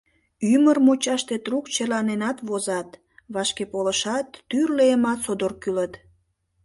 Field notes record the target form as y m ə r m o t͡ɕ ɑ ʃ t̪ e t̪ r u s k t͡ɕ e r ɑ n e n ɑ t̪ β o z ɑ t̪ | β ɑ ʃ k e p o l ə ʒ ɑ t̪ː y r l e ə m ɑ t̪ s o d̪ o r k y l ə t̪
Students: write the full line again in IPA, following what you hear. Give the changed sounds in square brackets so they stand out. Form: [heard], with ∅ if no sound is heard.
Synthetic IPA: y m ə r m o t͡ɕ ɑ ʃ t̪ e t̪ r u [∅] k t͡ɕ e [l] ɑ n e n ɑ t̪ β o z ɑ t̪ | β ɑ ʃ k e p o l ə [ʃ] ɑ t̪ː y r l e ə m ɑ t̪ s o d̪ o r k y l ə t̪